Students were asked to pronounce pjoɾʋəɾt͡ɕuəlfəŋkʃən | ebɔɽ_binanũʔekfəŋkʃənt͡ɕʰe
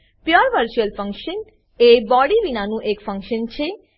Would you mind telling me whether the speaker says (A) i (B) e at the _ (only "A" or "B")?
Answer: A